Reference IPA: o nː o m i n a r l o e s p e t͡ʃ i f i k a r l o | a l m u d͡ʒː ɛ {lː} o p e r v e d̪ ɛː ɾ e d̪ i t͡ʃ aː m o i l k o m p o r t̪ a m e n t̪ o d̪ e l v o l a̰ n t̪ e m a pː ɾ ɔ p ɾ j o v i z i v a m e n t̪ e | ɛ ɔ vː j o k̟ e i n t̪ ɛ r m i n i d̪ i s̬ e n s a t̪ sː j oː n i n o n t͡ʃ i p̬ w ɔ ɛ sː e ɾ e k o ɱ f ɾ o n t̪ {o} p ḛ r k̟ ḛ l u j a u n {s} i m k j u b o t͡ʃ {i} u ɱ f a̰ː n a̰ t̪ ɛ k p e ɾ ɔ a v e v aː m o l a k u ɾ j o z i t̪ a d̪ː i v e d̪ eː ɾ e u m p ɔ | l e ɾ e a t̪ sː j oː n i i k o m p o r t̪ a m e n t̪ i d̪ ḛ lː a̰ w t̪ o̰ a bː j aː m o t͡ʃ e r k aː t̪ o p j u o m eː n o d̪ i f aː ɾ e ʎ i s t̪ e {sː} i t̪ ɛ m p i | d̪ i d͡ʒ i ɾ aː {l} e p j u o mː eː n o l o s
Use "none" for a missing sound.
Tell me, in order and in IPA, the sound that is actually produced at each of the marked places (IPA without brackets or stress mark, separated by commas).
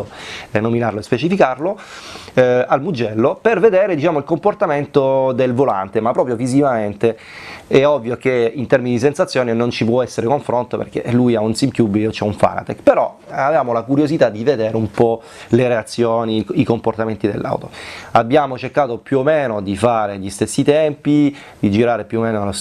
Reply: lː, o, s, ɛ, sː, ɾ